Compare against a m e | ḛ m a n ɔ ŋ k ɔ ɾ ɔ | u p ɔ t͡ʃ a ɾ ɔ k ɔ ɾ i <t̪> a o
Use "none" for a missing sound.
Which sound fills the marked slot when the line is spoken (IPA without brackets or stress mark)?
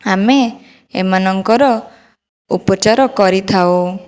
t̪ʰ